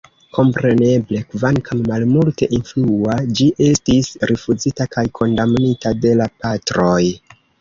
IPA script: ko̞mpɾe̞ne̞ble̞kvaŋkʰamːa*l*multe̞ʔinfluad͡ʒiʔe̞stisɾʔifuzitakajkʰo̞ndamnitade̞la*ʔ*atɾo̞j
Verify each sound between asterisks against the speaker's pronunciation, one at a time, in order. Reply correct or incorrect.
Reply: correct, incorrect: p

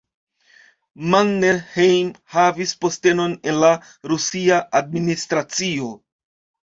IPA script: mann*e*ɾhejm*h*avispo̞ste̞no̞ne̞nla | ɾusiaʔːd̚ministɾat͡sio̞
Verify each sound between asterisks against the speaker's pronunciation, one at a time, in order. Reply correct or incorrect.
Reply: correct, correct

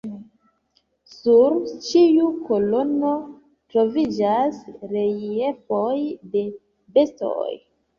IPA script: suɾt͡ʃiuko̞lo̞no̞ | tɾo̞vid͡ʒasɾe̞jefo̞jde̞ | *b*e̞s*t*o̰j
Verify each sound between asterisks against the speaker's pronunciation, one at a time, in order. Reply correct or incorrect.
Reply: correct, correct

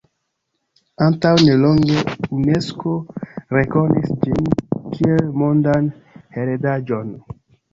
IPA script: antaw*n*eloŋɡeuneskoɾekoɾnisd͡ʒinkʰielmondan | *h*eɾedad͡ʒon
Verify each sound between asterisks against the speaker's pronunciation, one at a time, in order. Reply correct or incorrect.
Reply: correct, correct

